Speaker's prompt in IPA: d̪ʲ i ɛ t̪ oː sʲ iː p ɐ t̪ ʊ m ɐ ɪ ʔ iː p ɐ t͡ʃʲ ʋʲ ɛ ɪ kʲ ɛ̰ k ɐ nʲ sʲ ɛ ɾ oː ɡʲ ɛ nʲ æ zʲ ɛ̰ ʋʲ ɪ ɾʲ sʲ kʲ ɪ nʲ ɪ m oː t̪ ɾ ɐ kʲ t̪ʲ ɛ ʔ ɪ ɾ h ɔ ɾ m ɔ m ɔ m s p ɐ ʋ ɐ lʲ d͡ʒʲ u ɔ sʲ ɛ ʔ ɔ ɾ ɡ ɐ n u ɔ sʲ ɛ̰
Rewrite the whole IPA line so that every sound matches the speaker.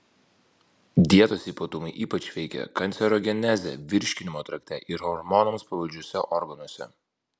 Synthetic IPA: d̪ʲ i ɛ t̪ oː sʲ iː p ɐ t̪ ʊ m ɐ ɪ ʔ iː p ɐ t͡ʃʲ ʋʲ ɛ ɪ kʲ ɛ̰ k ɐ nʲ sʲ ɛ ɾ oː ɡʲ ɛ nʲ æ zʲ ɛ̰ ʋʲ ɪ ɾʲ ʃʲ kʲ ɪ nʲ ɪ m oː t̪ ɾ ɐ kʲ t̪ʲ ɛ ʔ ɪ ɾ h ɔ ɾ m ɔ n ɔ m s p ɐ ʋ ɐ lʲ d͡ʒʲ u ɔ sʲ ɛ ʔ ɔ ɾ ɡ ɐ n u ɔ sʲ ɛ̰